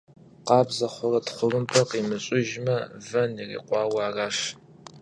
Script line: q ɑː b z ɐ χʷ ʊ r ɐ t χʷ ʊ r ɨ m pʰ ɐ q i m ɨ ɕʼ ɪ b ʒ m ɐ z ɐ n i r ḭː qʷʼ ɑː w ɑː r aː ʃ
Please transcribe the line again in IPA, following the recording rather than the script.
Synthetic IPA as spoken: q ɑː b z ɐ χʷ ʊ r ɐ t χʷ ʊ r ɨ m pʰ ɐ q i m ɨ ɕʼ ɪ ʒ m ɐ v ɐ n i r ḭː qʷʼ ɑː w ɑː r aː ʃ